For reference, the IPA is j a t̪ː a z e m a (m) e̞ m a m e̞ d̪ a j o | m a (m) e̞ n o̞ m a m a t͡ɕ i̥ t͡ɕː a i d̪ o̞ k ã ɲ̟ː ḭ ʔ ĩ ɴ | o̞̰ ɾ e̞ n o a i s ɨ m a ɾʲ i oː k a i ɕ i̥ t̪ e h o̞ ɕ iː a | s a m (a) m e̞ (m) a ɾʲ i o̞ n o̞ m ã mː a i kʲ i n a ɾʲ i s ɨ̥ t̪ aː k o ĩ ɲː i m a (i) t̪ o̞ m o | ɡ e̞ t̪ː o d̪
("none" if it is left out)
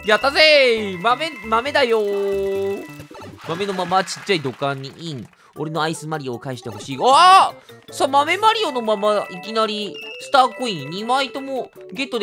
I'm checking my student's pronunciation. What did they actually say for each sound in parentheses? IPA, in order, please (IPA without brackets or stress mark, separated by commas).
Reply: m, m, a, m, i